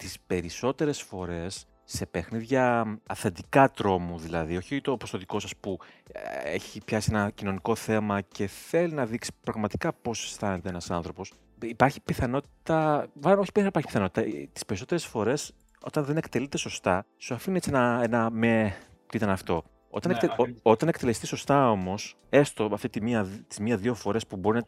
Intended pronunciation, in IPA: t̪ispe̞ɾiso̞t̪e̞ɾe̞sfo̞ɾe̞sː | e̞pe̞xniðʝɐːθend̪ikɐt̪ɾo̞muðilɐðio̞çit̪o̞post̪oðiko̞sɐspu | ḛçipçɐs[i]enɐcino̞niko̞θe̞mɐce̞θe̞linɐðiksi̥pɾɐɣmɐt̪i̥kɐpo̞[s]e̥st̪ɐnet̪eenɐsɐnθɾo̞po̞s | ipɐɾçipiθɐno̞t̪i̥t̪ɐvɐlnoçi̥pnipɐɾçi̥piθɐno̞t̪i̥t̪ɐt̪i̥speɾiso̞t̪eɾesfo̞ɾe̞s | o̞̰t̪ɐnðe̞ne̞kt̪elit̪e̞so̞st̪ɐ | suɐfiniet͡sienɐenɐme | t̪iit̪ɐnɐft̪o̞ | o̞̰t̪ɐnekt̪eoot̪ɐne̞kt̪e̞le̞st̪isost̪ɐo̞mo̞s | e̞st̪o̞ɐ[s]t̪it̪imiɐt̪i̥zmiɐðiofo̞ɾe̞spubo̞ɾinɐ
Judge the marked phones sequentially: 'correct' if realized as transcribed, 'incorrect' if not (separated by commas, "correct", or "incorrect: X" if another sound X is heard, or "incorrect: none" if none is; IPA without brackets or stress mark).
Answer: correct, correct, incorrect: f